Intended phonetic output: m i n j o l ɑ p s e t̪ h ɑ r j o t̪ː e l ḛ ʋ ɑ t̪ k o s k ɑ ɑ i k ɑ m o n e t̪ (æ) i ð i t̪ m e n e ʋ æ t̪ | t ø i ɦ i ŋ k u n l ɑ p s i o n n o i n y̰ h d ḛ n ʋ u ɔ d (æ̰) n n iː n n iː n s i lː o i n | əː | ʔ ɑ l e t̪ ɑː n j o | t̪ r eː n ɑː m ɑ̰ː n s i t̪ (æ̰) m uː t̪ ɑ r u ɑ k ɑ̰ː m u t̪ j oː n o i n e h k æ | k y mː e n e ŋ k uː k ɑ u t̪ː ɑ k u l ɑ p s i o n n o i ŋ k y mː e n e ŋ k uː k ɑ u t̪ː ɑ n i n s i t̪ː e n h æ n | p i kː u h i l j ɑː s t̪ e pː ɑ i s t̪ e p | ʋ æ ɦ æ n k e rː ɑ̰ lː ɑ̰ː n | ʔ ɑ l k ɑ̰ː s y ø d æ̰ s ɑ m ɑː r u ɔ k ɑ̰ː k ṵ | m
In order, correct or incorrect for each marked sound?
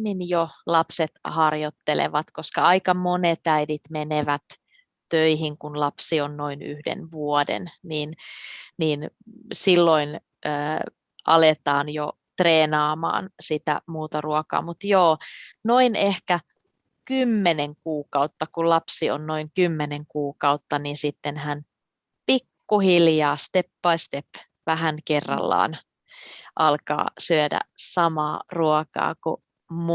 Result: correct, incorrect: ḛ, correct

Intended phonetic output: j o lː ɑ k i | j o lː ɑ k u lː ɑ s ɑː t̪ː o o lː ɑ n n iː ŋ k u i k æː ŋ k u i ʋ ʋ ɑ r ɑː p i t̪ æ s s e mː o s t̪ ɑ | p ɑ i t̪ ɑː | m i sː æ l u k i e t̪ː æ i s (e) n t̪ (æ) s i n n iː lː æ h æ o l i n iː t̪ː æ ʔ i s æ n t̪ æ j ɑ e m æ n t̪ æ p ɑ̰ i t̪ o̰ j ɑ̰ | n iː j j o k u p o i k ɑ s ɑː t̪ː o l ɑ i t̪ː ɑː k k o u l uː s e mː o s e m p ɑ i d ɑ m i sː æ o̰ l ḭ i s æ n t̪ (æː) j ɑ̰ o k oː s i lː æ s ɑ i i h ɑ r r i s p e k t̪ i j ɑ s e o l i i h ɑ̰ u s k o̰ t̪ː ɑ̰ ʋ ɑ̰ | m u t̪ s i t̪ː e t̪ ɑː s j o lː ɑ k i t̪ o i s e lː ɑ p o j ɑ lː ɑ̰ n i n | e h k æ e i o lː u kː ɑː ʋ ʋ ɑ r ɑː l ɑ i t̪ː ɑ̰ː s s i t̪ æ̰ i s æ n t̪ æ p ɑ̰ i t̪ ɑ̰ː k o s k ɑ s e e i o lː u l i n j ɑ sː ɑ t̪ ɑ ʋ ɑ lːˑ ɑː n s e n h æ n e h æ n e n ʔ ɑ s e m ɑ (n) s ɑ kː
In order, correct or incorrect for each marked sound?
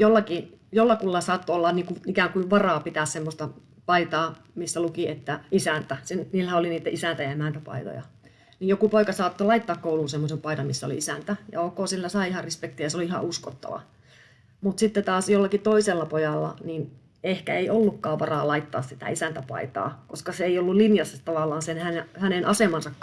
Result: incorrect: æ, correct, incorrect: æ, correct

